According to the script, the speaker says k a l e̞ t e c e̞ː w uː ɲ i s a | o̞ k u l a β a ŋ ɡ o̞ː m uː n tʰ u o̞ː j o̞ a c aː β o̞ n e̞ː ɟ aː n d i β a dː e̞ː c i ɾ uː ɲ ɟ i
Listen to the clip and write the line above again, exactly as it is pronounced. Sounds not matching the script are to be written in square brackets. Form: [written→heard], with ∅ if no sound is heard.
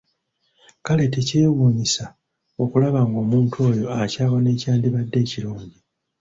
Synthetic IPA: k a l e̞ t e c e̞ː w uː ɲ i s a | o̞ k u l a β a ŋ ɡ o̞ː m uː n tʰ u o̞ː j o̞ a c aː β o̞ n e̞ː [ɟ→c] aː n d i β a dː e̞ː c i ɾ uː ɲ ɟ i